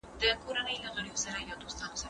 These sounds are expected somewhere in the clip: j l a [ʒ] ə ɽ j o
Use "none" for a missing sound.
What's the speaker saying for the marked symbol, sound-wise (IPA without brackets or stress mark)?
ɣ